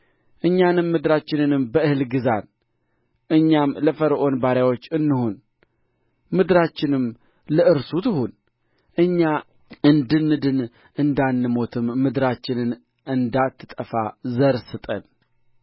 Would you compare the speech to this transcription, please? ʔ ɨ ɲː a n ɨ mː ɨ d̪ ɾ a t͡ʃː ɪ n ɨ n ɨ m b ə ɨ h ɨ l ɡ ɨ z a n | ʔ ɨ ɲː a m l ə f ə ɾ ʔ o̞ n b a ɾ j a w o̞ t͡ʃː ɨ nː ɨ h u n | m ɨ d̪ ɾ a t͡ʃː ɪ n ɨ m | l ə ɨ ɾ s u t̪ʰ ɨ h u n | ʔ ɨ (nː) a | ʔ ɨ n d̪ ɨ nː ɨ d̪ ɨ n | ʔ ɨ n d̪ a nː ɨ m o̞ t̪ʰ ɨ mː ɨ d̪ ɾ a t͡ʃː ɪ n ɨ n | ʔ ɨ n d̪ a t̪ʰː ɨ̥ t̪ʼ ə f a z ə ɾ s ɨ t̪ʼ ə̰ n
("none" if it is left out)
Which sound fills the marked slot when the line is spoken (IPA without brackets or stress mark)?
ɲː